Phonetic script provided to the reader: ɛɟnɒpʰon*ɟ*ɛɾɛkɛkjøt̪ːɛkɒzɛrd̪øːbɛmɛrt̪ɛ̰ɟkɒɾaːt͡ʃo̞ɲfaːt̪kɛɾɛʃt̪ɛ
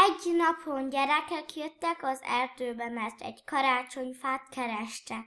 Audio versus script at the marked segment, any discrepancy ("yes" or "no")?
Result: no